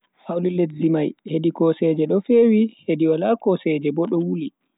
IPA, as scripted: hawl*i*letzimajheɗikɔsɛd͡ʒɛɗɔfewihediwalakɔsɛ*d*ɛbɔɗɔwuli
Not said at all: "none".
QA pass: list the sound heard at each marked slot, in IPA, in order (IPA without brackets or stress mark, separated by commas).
i, d͡ʒ